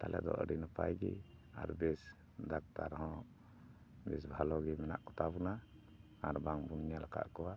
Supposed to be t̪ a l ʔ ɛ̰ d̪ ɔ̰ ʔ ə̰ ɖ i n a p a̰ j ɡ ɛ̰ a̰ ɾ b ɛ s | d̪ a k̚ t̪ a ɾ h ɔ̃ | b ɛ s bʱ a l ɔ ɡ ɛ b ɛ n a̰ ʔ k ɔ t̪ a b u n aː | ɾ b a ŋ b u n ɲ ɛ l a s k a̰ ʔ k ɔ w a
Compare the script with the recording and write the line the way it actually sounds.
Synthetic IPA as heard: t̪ a l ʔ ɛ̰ d̪ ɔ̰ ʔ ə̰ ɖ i n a p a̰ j ɡ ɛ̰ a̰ ɾ b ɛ s | d̪ a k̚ t̪ a ɾ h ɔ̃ | b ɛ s bʱ a l ɔ ɡ ɛ m ɛ n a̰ ʔ k ɔ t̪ a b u n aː | ɾ b a ŋ b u n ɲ a l a k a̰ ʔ k ɔ w a